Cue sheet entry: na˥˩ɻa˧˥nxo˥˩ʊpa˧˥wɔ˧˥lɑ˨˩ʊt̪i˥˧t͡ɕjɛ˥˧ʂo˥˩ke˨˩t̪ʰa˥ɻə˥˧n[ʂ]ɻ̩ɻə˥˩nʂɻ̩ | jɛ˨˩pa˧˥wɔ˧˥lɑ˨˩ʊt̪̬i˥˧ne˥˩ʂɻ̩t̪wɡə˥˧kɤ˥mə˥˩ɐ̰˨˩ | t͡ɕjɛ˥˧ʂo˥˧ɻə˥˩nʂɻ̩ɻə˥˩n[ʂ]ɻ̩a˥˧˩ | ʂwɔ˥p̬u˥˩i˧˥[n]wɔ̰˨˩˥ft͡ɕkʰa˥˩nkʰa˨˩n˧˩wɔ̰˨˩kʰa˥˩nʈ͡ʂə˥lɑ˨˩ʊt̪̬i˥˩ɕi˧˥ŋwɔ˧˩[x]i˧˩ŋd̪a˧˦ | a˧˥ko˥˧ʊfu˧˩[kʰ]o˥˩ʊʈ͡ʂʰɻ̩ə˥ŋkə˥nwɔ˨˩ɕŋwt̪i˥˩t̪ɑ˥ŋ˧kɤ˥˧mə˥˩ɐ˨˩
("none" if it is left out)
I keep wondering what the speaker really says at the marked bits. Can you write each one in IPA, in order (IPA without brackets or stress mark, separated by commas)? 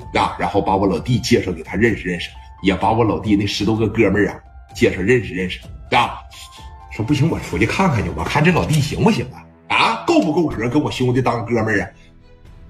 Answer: ʂ, ʂ, ŋ, ɕ, k